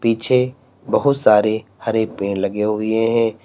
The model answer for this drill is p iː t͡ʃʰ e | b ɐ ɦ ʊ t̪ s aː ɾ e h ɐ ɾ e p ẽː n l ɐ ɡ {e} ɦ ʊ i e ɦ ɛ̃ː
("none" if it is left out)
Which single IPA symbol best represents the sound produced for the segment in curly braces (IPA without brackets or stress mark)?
e